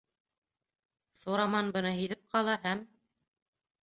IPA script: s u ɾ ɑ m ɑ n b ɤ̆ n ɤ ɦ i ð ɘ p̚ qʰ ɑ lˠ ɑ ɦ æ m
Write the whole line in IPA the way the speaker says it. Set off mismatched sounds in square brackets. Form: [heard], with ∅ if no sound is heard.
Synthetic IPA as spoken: s u ɾ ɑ m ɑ n b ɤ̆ n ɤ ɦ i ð ɘ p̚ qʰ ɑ lˠ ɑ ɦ æ m